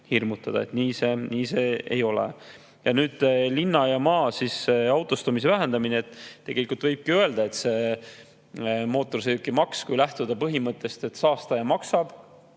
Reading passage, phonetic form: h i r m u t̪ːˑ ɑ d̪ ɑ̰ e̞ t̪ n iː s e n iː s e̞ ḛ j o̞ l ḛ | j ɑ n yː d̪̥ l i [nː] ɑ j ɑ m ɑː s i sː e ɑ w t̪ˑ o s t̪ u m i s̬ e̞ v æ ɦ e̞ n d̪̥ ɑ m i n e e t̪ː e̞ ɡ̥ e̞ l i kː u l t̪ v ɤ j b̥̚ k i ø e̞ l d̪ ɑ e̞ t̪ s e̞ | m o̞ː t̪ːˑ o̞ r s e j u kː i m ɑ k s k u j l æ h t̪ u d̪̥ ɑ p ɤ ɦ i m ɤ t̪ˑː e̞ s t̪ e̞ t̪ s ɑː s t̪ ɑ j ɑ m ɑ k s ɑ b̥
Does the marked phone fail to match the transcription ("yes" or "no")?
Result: no